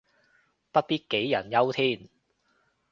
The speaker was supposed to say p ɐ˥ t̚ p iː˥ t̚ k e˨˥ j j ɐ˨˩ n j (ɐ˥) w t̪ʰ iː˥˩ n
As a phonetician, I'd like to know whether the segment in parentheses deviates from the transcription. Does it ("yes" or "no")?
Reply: no